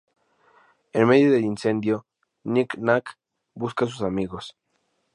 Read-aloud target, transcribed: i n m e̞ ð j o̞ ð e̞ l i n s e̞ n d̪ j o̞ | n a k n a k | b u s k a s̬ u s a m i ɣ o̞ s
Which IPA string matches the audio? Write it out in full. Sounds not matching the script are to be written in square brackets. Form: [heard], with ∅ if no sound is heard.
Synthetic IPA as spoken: [e] n m e̞ ð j o̞ ð e̞ l i n s e̞ n d̪ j o̞ | n [i] k n a k | b u s k a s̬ u s a m i ɣ o̞ s